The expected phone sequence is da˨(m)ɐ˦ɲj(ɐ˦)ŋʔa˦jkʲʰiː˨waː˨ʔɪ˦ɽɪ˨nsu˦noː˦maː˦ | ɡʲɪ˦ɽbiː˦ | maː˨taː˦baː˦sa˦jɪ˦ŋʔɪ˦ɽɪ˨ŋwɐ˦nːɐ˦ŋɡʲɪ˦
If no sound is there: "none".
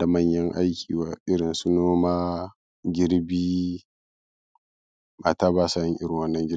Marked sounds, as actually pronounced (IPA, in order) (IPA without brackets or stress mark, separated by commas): m, ɐ˦